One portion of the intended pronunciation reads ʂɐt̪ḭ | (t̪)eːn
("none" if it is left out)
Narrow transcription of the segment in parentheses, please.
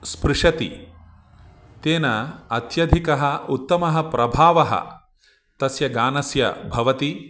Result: t̪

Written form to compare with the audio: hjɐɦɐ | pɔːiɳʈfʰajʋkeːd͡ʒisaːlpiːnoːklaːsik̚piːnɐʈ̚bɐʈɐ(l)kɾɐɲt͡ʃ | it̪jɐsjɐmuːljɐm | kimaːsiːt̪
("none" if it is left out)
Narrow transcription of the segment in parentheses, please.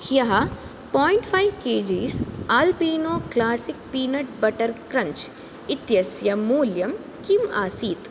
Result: ɾ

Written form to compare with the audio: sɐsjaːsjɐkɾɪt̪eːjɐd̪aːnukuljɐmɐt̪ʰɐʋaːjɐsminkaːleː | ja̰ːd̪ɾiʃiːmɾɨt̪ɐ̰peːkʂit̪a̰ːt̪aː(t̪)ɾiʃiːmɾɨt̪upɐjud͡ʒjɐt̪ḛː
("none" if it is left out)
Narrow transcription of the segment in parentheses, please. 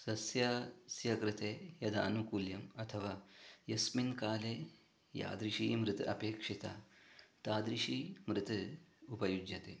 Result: d̪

